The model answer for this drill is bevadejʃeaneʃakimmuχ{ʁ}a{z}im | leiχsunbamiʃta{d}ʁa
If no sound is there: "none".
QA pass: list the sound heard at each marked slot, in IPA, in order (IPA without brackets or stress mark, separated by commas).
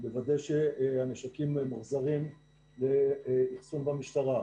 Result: z, ʁ, none